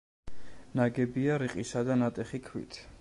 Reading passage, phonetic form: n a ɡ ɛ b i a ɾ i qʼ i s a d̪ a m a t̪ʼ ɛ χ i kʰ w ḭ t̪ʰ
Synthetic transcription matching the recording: n a ɡ ɛ b i a ɾ i qʼ i s a d̪ a n a t̪ʼ ɛ χ i kʰ w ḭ t̪ʰ